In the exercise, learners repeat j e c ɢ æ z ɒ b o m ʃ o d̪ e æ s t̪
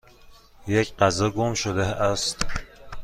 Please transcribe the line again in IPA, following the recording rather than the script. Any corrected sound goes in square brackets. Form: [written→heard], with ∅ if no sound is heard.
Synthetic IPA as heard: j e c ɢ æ z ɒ [b→ɡ] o m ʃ o d̪ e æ s t̪